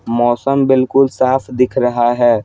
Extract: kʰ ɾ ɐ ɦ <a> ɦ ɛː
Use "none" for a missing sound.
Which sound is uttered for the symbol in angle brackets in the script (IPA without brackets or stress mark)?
a